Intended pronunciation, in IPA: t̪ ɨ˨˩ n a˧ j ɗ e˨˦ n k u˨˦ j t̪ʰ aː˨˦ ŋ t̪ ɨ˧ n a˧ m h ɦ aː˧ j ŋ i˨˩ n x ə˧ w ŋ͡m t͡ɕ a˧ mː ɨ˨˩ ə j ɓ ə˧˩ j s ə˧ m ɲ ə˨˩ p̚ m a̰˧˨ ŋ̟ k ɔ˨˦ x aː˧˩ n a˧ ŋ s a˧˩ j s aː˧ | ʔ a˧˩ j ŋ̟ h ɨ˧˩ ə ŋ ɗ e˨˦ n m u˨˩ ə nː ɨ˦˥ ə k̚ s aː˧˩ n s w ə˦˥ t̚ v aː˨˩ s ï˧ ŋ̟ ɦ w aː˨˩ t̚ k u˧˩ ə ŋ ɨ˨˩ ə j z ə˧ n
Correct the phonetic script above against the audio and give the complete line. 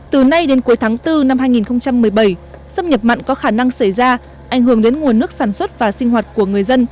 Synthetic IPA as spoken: t̪ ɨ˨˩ n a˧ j ɗ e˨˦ n k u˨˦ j t̪ʰ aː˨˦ ŋ t̪ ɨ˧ n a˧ m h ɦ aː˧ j ŋ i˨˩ n x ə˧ w ŋ͡m t͡ɕ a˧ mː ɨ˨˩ ə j ɓ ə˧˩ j s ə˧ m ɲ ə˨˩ p̚ m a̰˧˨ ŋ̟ k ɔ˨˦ x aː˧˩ n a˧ ŋ s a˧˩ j z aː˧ | ʔ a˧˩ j ŋ̟ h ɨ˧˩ ə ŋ ɗ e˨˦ n ŋ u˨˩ ə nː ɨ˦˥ ə k̚ s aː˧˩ n s w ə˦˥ t̚ v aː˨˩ s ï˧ ŋ̟ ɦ w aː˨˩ t̚ k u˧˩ ə ŋ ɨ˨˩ ə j z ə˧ n

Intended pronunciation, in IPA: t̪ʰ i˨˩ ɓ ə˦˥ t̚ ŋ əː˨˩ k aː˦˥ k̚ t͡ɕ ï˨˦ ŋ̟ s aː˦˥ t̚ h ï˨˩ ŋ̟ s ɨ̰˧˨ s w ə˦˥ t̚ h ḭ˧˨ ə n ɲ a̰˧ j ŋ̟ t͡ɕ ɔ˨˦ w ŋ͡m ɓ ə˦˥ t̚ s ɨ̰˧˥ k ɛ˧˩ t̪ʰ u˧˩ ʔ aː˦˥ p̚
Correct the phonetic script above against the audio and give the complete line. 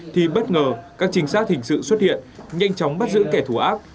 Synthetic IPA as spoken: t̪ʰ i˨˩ ɓ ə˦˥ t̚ ŋ əː˨˩ k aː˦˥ k̚ t͡ɕ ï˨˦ ŋ̟ s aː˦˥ t̚ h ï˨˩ ŋ̟ s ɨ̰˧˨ s w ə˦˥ t̚ h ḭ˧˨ ə n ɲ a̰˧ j ŋ̟ t͡ɕ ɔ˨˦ w ŋ͡m ɓ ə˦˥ t̚ z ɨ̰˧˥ k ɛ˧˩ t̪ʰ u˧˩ ʔ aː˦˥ p̚

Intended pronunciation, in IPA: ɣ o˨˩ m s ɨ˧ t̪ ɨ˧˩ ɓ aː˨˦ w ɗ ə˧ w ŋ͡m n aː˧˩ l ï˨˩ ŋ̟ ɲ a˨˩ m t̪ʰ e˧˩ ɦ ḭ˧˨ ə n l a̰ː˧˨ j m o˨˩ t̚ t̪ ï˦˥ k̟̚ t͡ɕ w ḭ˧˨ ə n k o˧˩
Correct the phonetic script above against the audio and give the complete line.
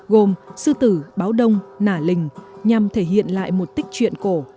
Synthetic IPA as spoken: ɣ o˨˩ m s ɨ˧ t̪ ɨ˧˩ ɓ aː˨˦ w ɗ ə˧ w ŋ͡m n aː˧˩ l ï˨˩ ŋ̟ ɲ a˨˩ m t̪ʰ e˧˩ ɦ ḭ˧˨ ə n l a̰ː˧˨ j m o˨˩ t̚ t̪ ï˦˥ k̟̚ t͡ɕ w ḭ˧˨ ə n k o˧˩

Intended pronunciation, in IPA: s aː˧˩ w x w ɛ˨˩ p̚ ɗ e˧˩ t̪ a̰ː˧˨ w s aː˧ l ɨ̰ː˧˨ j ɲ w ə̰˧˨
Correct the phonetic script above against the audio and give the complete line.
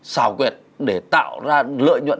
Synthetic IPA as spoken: s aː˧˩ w k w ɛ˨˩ t̚ ɗ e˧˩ t̪ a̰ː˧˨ w z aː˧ l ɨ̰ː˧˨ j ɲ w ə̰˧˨

